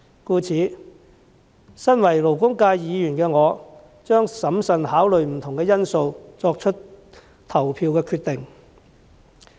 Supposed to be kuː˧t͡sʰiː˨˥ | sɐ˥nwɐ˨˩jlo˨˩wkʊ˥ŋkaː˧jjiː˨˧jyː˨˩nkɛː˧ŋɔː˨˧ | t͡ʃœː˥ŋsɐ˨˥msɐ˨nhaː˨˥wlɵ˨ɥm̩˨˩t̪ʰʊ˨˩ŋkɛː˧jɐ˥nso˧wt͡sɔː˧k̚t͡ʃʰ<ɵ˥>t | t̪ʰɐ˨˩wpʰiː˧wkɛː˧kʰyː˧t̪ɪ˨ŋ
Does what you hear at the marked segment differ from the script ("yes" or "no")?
no